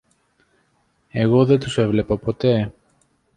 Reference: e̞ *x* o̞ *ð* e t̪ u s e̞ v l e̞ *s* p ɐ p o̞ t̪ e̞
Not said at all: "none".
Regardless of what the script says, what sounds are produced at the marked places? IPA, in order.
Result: ɣ, ð, none

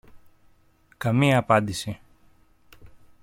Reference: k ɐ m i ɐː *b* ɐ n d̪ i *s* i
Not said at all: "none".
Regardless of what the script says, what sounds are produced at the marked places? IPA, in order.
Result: p, s

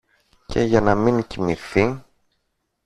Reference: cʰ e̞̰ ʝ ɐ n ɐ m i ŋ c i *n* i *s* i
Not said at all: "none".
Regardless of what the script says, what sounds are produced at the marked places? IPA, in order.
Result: m, θ

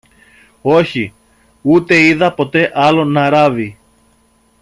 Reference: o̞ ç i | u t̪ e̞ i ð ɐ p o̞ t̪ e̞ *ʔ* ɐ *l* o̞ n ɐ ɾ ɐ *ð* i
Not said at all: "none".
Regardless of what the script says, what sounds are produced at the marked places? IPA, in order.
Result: ʔ, l, v

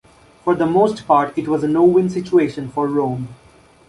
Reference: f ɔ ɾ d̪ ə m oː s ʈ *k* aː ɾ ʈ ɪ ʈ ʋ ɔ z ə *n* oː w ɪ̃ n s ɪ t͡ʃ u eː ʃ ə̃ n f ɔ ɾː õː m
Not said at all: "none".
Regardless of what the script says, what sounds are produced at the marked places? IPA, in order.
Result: p, n

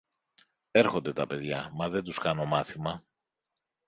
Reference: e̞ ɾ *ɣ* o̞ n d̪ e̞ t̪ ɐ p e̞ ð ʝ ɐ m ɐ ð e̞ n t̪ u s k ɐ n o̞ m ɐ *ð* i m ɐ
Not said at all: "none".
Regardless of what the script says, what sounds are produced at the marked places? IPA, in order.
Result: x, θ

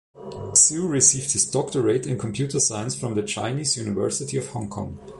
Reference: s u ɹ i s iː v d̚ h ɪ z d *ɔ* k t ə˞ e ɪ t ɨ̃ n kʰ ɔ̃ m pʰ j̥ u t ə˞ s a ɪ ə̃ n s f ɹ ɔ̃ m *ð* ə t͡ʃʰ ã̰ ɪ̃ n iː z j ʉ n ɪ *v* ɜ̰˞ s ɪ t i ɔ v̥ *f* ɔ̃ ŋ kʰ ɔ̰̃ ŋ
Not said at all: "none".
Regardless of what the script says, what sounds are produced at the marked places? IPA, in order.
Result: ɔ, ð, v, h

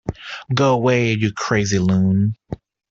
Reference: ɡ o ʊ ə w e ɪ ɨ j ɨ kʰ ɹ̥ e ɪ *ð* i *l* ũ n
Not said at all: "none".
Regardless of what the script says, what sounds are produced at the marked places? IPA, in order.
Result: z, l

